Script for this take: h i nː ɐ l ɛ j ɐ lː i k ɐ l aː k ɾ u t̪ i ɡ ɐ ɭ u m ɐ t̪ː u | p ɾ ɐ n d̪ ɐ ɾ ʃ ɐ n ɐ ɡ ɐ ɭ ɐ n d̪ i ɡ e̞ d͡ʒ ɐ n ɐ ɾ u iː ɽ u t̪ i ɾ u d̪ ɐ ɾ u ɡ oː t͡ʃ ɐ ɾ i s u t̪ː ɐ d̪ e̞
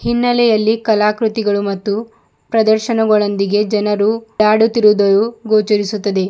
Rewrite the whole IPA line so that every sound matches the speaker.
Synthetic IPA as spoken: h i nː ɐ l ɛ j ɐ lː i k ɐ l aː k ɾ u t̪ i ɡ ɐ ɭ u m ɐ t̪ː u | p ɾ ɐ d̪ ɐ ɾ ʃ ɐ n ɐ ɡ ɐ ɭ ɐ n d̪ i ɡ e̞ d͡ʒ ɐ n ɐ ɾ u aː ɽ u t̪ i ɾ u d̪ ɐ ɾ u ɡ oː t͡ʃ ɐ ɾ i s u t̪ː ɐ d̪ e̞